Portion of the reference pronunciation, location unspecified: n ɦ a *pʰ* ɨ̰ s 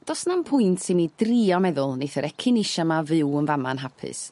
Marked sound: correct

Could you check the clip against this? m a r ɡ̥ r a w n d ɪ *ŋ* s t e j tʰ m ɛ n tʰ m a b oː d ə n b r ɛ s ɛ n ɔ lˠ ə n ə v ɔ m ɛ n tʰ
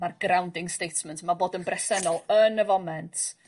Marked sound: correct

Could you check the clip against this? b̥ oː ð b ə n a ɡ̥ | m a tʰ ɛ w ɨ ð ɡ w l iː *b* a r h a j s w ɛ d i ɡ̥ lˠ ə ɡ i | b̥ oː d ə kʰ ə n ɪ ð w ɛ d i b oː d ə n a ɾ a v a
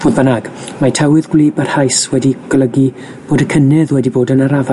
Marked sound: correct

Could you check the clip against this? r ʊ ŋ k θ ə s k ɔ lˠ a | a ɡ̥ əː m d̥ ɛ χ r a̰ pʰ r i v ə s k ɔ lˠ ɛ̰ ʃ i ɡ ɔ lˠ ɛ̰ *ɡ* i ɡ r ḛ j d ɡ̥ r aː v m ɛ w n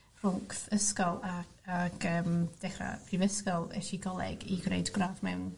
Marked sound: correct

